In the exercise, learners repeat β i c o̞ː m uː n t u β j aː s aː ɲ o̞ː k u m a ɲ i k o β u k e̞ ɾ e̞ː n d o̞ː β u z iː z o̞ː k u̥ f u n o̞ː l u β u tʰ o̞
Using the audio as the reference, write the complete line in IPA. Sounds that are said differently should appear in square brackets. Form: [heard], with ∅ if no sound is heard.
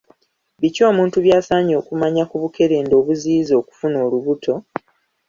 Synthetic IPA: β i c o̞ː m uː n t u β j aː s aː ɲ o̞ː k u m a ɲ [a] k [u] β u k e̞ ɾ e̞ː n d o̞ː β u z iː z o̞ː k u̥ f u n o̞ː l u β u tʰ o̞